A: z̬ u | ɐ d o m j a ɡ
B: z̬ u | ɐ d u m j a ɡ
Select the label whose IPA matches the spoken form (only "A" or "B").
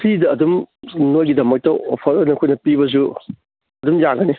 B